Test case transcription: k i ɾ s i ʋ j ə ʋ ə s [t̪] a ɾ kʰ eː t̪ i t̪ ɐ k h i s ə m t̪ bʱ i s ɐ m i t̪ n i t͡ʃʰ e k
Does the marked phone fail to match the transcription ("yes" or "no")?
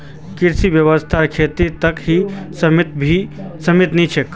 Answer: yes